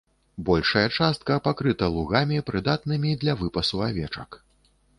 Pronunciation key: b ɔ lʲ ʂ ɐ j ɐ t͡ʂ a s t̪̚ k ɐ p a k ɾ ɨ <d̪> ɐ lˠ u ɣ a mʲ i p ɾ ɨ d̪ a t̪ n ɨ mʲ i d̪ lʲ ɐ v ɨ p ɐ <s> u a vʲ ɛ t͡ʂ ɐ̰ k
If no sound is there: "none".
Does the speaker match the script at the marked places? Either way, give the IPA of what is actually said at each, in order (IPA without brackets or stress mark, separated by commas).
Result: t̪, s